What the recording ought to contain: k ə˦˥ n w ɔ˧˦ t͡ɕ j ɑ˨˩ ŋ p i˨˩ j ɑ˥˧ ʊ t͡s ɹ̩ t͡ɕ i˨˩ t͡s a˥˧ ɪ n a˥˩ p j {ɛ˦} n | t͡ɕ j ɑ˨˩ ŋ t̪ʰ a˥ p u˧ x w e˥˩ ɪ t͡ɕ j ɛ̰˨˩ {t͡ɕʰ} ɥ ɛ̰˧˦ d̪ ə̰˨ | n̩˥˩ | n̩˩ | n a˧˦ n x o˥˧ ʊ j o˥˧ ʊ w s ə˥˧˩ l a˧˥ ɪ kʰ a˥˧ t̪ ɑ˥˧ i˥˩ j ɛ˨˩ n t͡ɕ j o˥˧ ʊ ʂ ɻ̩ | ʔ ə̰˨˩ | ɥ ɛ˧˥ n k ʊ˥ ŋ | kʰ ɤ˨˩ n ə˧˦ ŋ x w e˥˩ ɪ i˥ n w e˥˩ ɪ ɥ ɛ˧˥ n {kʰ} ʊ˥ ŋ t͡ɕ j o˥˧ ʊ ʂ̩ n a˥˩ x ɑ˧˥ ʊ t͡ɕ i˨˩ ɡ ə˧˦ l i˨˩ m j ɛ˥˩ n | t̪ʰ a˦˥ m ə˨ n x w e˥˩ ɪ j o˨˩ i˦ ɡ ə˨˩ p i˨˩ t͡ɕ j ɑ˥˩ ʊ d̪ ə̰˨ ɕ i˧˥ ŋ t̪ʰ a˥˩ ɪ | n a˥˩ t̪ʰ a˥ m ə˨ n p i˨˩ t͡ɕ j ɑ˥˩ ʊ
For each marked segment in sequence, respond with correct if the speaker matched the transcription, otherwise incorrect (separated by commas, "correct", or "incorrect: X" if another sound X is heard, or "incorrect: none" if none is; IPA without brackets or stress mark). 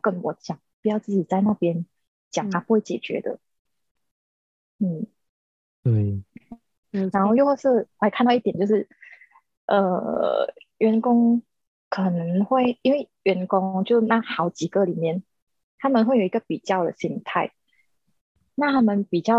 correct, incorrect: t͡ɕ, incorrect: k